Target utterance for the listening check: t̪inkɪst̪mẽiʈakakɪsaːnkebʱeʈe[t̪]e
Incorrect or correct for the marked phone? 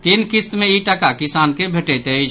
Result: correct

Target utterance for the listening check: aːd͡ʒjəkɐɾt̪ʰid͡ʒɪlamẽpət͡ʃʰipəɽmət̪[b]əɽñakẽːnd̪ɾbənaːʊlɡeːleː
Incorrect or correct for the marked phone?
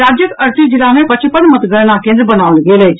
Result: incorrect: ɡ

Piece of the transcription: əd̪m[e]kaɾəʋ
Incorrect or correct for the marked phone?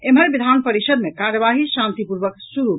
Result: correct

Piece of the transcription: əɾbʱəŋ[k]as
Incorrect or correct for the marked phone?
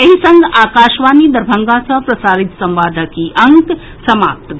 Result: incorrect: ɡ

